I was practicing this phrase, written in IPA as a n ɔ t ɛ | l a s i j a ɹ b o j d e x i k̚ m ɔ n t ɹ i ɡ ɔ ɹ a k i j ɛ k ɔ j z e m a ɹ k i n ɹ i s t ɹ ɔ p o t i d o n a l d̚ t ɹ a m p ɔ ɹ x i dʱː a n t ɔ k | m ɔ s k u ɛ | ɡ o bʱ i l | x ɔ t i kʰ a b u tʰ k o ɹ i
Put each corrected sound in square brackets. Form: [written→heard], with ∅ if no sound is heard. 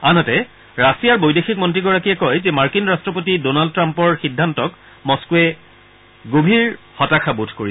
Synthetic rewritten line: a n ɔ t ɛ | [l→ɹ] a s i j a ɹ b o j d e x i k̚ m ɔ n t ɹ i ɡ ɔ ɹ a k i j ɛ k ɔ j z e m a ɹ k i n ɹ [i→a] s t ɹ ɔ p o t i d o n a l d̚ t ɹ a m p ɔ ɹ x i dʱː a n t ɔ k | m ɔ s k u ɛ | ɡ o bʱ i [l→ɹ] | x ɔ t [i→a] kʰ a b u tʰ k o ɹ i